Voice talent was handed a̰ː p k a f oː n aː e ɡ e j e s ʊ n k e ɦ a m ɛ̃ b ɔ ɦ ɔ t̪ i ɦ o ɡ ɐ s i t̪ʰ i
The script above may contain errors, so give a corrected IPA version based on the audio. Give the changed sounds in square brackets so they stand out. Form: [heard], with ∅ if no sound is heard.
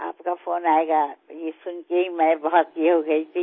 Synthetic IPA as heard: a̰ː p k a f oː n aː e ɡ [a] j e s ʊ n k e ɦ [i] m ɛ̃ b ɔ ɦ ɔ t̪ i ɦ o ɡ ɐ [∅] i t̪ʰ i